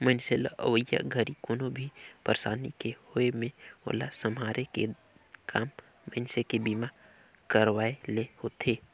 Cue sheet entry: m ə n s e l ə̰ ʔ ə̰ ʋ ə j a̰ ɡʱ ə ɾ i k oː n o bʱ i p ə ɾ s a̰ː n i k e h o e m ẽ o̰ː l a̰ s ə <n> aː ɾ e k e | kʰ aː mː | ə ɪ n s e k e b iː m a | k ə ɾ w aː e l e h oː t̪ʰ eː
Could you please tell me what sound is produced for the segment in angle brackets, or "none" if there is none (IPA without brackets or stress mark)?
m